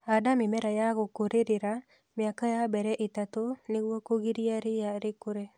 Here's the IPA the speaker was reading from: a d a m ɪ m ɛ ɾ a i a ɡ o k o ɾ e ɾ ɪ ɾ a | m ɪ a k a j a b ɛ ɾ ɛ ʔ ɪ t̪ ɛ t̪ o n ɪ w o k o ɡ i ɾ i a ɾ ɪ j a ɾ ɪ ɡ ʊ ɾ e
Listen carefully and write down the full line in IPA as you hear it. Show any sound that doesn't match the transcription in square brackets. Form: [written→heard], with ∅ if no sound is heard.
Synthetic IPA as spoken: a d a m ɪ m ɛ ɾ a [i→j] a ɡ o k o ɾ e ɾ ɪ ɾ a | m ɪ a k a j a b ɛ ɾ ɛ ʔ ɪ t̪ [ɛ→a] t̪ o n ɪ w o k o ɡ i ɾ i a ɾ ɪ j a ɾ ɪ [ɡ→k] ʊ ɾ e